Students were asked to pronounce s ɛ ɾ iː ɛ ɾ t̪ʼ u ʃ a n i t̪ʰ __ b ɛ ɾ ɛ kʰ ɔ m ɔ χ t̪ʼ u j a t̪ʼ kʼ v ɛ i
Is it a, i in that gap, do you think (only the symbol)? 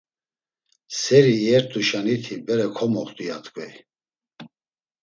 i